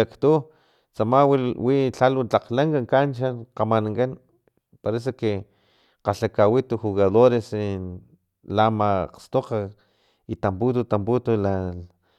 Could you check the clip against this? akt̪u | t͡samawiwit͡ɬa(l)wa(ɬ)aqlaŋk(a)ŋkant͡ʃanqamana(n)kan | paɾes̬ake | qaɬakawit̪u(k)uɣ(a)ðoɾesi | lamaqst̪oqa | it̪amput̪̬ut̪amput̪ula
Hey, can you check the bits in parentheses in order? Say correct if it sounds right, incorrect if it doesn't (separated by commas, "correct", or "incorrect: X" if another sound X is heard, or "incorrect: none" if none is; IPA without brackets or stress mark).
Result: correct, incorrect: t͡ɬ, correct, incorrect: ŋ, incorrect: x, correct